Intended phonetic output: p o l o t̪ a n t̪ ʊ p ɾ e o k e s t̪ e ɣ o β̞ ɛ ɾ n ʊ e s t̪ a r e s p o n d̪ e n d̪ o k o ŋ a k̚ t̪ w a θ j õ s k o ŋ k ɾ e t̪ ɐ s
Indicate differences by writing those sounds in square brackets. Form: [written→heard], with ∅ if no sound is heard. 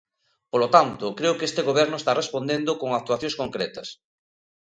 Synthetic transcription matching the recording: p o l o t̪ a n t̪ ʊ [p→k] ɾ e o k e s t̪ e ɣ o β̞ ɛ ɾ n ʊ e s t̪ a r e s p o n d̪ e n d̪ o k o ŋ a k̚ t̪ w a θ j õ s k o ŋ k ɾ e t̪ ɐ s